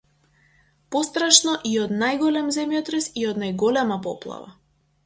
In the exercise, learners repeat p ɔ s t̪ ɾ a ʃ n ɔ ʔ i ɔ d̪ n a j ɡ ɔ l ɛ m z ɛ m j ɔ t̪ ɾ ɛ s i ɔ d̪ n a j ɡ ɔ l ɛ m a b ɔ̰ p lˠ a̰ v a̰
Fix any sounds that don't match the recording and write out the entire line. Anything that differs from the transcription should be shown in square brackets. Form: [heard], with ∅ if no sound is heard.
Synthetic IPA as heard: p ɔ s t̪ ɾ a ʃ n ɔ ʔ i ɔ d̪ n a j ɡ ɔ l ɛ m z ɛ m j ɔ t̪ ɾ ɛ s i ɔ d̪ n a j ɡ ɔ l ɛ m a [p] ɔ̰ p lˠ a̰ v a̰

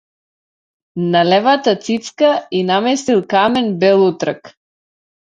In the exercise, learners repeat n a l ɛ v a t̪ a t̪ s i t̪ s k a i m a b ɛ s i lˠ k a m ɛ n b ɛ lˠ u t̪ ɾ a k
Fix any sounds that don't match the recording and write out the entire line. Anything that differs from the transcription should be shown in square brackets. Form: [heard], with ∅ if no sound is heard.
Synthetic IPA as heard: n a l ɛ v a t̪ a t̪ s i t̪ s k a i [n] a [m] ɛ s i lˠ k a m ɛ n b ɛ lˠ u t̪ ɾ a k

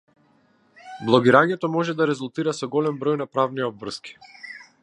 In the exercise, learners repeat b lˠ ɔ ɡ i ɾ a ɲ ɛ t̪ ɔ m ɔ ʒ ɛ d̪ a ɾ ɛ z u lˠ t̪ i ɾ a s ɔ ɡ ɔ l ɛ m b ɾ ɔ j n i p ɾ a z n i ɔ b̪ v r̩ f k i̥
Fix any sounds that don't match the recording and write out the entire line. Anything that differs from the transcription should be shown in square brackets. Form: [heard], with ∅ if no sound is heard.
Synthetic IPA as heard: b lˠ ɔ ɡ i ɾ a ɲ ɛ t̪ ɔ m ɔ ʒ ɛ d̪ a ɾ ɛ z u lˠ t̪ i ɾ a s ɔ ɡ ɔ l ɛ m b ɾ ɔ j n [a] p ɾ a [v] n i ɔ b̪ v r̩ [s] k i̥

